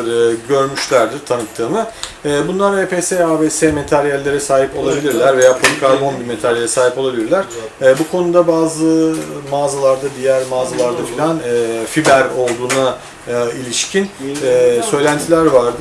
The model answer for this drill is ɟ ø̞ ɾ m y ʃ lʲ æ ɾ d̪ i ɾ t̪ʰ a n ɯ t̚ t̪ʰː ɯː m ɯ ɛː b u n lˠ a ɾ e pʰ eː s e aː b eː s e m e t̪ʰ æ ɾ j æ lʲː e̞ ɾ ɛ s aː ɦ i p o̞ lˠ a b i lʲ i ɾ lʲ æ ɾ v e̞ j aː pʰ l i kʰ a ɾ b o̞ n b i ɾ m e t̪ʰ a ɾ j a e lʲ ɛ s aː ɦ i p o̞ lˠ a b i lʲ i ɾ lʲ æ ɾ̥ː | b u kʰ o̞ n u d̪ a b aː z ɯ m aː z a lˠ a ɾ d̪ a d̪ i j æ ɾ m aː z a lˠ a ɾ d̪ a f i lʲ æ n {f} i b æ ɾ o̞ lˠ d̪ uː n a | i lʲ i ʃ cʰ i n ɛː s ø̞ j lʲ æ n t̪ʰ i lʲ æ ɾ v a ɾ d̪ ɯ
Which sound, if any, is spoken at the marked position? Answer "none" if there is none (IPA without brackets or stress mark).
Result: f